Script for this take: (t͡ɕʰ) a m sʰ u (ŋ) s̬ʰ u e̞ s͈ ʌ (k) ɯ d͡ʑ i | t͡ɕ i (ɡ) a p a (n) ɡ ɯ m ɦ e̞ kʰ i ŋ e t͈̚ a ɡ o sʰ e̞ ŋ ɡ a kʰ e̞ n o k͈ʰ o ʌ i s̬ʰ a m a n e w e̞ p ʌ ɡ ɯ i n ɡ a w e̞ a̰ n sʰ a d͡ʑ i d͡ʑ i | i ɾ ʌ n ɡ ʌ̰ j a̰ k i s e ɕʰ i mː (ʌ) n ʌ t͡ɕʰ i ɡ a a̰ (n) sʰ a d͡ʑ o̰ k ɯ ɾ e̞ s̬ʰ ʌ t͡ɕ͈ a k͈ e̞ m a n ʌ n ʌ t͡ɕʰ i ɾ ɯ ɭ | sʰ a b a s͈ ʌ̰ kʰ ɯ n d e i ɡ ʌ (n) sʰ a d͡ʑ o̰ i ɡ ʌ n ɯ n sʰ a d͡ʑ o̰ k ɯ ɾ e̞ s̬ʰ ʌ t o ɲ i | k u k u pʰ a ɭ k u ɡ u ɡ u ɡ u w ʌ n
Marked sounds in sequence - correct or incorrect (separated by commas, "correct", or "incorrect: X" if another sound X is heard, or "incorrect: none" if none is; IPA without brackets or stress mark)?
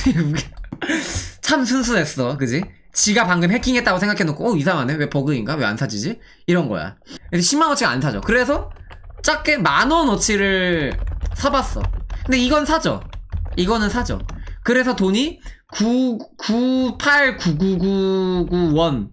correct, incorrect: n, correct, correct, incorrect: ŋ, incorrect: a, correct, correct